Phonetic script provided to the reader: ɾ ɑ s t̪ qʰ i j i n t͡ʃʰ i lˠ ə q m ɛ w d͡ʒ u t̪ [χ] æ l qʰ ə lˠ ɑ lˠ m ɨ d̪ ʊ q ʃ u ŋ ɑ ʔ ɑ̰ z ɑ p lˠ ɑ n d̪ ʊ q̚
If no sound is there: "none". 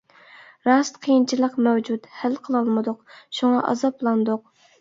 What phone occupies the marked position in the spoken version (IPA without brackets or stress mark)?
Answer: h